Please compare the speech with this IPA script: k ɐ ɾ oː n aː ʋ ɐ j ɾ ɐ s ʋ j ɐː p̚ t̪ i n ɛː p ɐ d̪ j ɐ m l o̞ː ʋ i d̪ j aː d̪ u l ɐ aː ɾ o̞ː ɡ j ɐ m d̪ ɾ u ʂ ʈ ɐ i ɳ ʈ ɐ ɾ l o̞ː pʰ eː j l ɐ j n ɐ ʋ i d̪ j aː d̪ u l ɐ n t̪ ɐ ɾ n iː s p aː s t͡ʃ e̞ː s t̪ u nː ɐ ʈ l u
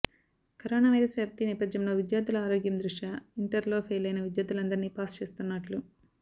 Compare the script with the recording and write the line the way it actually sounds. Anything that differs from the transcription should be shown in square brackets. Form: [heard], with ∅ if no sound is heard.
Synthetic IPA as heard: k ɐ ɾ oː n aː ʋ ɐ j ɾ ɐ s ʋ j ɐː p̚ t̪ i n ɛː p ɐ d̪ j ɐ m l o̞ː ʋ i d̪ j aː d̪ u l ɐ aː ɾ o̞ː ɡ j ɐ m d̪ ɾ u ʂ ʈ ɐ i ɳ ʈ ɐ ɾ l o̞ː pʰ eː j l ɐ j n ɐ ʋ i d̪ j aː d̪ u l ɐ n [d̪] ɐ ɾ n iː [∅] p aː s t͡ʃ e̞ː s t̪ u nː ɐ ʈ l u